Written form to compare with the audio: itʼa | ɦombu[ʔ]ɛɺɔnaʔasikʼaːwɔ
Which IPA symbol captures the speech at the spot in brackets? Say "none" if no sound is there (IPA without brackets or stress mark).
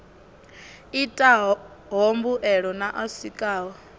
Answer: ʔ